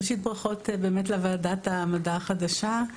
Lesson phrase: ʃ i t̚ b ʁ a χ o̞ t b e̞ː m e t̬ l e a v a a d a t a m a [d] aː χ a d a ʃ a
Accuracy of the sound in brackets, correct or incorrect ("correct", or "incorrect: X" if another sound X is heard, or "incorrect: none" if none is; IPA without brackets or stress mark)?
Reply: correct